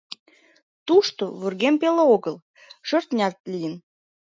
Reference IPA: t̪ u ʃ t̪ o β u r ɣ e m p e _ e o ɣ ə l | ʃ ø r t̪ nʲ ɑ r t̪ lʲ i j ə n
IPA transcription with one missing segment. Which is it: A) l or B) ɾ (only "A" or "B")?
A